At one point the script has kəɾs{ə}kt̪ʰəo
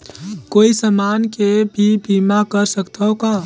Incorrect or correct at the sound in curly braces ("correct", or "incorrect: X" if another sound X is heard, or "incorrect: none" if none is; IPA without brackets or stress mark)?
correct